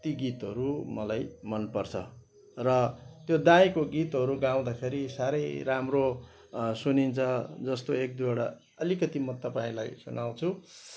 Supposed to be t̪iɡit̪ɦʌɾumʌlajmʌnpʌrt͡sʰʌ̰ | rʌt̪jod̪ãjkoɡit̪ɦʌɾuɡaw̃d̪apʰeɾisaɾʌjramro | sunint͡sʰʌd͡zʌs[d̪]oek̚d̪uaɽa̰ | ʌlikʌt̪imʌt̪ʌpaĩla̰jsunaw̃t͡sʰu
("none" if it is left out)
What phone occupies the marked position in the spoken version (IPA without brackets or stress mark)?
t̪